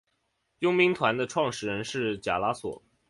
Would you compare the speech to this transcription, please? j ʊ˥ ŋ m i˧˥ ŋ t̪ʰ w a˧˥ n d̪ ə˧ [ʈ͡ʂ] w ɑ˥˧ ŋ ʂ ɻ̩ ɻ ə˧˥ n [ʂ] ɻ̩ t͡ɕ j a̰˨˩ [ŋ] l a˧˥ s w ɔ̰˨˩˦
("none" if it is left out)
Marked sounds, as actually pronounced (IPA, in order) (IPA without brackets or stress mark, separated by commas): ʈ͡ʂʰ, ʂ, none